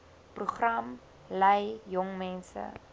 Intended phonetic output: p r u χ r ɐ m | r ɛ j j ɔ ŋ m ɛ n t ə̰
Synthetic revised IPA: p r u χ r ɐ m | l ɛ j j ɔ ŋ m ɛ n s ə̰

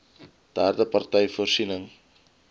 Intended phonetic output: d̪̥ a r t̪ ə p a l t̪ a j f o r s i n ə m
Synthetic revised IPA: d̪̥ a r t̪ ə p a r t̪ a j f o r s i n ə ŋ

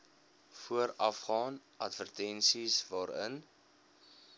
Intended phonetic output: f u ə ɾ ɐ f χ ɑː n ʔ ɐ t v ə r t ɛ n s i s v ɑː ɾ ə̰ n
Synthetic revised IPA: f u ə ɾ ɐ f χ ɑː n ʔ ɐ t v ə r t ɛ n s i s v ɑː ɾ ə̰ n

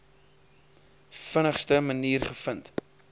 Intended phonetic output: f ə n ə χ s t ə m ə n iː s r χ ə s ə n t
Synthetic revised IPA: f ə n ə χ s t ə m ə n iː r χ ə f ə n t

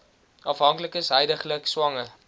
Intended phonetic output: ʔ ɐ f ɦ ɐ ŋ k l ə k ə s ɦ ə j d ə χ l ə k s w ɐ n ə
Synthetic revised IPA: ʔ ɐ f ɦ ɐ ŋ k l ə k ə s ɦ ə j d ə χ l ə k s w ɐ ŋ ə

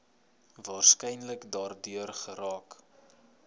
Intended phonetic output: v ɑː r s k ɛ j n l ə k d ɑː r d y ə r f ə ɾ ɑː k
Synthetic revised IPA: v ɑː r s k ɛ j n l ə k d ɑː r d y ə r χ ə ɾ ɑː k

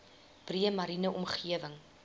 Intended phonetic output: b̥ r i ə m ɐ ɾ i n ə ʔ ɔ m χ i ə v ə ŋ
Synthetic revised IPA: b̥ r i ə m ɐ ɾ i n ə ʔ ɔ m χ i ə v ə ŋ

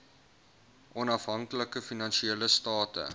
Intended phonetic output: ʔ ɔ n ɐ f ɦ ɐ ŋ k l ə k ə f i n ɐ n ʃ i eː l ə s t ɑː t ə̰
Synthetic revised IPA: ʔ ɔ n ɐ f ɦ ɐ ŋ k l ə k ə f i n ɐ n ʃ i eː l ə s t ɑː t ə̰

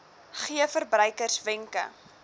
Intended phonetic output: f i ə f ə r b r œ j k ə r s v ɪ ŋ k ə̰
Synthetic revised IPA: χ i ə f ə r b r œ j k ə r s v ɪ ŋ k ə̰

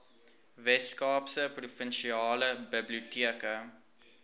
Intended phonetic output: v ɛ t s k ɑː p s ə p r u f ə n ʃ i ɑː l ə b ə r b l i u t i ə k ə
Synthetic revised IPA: v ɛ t s k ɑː p s ə p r u f ə n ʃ i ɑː l ə b ə b l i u t i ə k ə

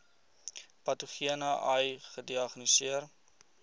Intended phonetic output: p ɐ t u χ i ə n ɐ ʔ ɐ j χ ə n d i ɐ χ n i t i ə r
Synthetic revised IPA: p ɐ t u χ i ə n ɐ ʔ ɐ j χ ə d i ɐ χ n i s i ə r

